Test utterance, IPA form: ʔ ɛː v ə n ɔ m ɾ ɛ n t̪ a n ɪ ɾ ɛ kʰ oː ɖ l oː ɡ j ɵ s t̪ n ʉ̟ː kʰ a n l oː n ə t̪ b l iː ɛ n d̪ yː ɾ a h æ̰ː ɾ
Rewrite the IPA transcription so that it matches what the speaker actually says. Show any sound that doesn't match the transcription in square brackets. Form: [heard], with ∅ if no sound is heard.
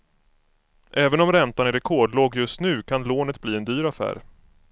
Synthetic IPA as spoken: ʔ ɛː v ə n ɔ m ɾ ɛ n t̪ a n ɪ ɾ ɛ kʰ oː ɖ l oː ɡ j ɵ s t̪ n ʉ̟ː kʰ a n l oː n ə t̪ b l iː ɛ n d̪ yː ɾ a [f] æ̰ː ɾ